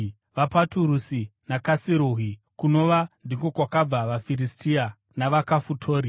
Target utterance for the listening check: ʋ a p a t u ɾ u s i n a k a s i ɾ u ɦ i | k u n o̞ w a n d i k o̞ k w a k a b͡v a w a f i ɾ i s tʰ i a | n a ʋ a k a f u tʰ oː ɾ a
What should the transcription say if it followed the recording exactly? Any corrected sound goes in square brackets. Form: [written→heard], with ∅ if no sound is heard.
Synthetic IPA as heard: ʋ a p a t u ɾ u s i n a k a s i ɾ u ɦ i | k u n o̞ [w→ʋ] a n d i k o̞ k w a k a b͡v a [w→ʋ] a f i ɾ i s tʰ i a | n a ʋ a k a f u tʰ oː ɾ [a→i]